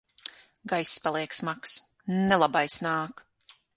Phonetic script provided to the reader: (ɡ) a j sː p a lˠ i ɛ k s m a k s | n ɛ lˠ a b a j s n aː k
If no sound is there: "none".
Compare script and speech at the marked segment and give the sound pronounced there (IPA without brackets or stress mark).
ɡ